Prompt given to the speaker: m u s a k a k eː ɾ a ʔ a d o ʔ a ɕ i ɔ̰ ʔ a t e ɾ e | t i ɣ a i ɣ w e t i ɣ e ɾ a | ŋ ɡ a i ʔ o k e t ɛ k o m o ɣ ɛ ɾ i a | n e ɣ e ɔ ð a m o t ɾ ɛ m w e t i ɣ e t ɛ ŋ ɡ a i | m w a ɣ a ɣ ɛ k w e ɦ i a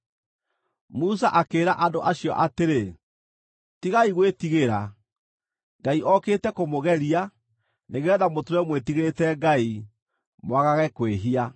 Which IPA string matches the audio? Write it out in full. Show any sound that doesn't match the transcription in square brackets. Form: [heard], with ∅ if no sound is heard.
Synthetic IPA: m u s a [ʔ] a k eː ɾ a ʔ a d o ʔ a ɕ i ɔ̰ ʔ a t e ɾ e | t i ɣ a i ɣ w e t i ɣ e ɾ a | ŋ ɡ a i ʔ [ɔ] k e t ɛ k o m o ɣ ɛ ɾ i a | n e ɣ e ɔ ð a m o t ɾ ɛ m w e t i ɣ e t ɛ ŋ ɡ a i | m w a ɣ a ɣ ɛ k w e ɦ i a